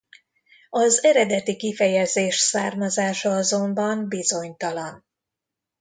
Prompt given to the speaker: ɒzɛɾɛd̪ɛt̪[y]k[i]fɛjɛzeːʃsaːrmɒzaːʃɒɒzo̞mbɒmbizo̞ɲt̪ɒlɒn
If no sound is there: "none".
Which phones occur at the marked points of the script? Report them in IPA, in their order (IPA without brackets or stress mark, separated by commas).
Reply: i, i